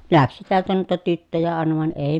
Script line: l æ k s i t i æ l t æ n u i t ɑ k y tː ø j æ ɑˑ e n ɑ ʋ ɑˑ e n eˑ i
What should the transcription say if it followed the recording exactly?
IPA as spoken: l æ k s i t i æ l t æ n u i t ɑ t y tː ø j æ ɑˑ e n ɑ ʋ ɑˑ e n eˑ i